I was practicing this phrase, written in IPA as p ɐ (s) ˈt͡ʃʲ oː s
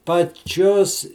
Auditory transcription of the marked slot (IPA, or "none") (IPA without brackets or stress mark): none